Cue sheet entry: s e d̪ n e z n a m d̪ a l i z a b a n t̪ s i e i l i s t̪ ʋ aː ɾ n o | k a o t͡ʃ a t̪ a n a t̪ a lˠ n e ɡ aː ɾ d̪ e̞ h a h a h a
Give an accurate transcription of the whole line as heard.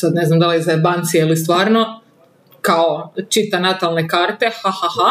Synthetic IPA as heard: s a d̪ n e z n a m d̪ a l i z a b a n t̪ s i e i l i s t̪ ʋ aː ɾ n o | k a o t͡ʃ i t̪ a n a t̪ a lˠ n e k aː ɾ t̪ e̞ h a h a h a